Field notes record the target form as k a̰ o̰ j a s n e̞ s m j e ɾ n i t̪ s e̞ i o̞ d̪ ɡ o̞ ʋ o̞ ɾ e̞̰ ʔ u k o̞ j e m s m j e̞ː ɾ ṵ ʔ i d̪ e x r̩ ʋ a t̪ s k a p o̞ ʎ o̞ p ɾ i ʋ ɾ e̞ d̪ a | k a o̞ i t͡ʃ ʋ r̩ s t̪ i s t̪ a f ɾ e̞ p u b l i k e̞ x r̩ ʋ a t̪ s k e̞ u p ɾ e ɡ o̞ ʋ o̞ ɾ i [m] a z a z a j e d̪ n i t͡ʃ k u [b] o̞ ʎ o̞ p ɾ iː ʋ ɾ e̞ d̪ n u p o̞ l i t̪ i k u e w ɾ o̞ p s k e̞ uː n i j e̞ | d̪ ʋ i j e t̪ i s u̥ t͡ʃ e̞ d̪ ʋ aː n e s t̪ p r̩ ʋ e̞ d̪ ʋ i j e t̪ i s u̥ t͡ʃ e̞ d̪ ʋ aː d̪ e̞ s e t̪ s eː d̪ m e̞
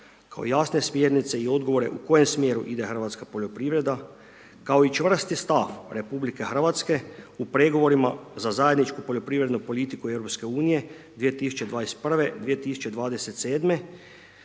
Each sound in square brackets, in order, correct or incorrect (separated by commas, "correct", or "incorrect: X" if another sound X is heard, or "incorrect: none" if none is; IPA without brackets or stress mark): correct, incorrect: p